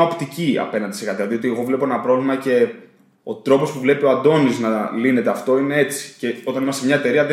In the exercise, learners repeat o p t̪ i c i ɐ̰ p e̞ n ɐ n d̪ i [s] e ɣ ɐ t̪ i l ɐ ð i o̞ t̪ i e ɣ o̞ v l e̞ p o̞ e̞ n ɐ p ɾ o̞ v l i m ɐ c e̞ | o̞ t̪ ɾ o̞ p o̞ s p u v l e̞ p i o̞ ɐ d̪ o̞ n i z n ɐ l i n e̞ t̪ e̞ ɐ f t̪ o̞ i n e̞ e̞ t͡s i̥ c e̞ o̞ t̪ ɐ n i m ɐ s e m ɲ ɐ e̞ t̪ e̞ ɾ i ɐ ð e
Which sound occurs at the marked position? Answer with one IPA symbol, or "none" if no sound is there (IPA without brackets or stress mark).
s